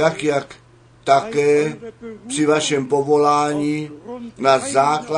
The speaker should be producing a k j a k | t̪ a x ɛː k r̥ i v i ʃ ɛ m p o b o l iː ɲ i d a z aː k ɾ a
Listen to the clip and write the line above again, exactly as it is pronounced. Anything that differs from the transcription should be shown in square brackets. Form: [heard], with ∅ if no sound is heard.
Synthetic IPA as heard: a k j a k | t̪ a [k] ɛː [p] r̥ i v [a] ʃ ɛ m p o [v] o l [aː] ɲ i [n] a z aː k [l] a